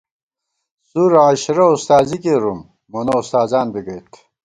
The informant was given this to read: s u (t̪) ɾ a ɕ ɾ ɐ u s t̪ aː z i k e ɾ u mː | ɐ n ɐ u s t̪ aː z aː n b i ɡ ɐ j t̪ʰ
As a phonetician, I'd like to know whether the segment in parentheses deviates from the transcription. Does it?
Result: yes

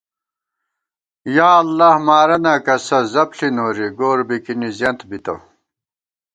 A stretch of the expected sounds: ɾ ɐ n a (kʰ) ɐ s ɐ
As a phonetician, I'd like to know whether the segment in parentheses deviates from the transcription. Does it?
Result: yes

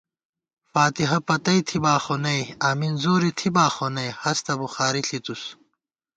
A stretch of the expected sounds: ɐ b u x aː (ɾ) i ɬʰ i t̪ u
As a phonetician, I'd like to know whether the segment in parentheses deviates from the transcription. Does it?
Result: no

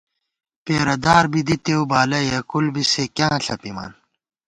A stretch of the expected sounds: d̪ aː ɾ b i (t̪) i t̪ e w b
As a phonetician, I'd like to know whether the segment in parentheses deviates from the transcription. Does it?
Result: yes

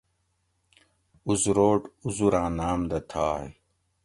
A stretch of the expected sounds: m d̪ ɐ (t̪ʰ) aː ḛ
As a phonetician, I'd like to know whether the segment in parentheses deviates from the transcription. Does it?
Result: no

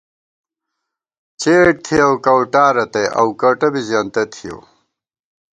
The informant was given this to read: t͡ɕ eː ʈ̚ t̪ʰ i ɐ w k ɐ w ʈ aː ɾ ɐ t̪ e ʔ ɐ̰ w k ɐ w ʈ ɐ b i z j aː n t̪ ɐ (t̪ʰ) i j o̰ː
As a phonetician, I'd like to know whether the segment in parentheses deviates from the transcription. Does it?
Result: no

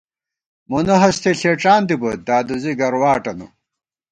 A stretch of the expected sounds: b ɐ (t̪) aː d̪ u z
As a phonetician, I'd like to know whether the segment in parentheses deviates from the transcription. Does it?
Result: yes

